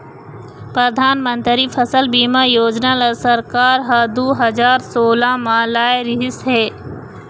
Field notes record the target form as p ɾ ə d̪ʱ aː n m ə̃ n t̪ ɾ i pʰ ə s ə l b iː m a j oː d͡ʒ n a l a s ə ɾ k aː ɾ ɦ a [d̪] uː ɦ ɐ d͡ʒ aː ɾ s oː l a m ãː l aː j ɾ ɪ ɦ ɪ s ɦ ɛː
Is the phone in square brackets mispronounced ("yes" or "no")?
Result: no